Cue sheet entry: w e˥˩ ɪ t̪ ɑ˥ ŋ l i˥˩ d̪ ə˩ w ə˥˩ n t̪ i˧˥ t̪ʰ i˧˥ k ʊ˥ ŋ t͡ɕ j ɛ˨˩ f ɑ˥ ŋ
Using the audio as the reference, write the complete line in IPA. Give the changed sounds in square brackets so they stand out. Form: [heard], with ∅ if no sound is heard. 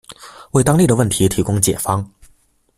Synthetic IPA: w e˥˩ ɪ t̪ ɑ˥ ŋ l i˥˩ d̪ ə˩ w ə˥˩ n [t̪ʰ] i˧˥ t̪ʰ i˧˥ k ʊ˥ ŋ t͡ɕ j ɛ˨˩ f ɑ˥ ŋ